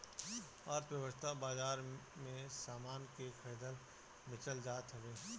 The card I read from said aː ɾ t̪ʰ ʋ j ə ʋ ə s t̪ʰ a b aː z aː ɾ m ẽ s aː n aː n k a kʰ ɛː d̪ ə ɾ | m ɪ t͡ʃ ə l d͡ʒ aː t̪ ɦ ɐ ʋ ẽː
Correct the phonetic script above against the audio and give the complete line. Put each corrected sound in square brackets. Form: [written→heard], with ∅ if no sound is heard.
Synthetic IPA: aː ɾ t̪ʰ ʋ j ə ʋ ə s t̪ʰ a b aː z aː ɾ m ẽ s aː [n→m] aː n k [a→e] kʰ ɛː d̪ ə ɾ | m ɪ t͡ʃ ə l d͡ʒ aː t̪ ɦ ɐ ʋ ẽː